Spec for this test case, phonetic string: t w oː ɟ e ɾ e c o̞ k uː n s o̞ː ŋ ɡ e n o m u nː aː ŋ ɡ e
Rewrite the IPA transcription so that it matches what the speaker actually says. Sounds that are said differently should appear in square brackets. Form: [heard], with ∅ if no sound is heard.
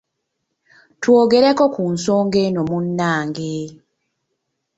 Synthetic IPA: t w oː [ɡ] e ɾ e [k] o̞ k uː n s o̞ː ŋ ɡ e n o m u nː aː ŋ ɡ e